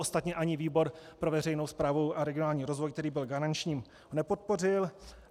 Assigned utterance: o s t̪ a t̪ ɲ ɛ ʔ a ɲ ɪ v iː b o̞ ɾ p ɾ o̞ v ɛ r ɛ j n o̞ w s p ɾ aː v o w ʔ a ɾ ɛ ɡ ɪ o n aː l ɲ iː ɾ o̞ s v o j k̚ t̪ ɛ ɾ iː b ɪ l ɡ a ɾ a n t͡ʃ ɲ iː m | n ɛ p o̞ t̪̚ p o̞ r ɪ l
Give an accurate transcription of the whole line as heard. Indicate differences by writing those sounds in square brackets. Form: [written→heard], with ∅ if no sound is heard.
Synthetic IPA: o s t̪ a t̪ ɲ ɛ ʔ a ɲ ɪ v iː b o̞ ɾ p ɾ o̞ v ɛ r ɛ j n o̞ w s p ɾ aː v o w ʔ a ɾ ɛ ɡ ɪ o n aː l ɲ iː ɾ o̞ [s→z] v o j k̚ t̪ ɛ ɾ iː b ɪ l ɡ a ɾ a n t͡ʃ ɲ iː m | n ɛ p o̞ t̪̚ p o̞ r ɪ l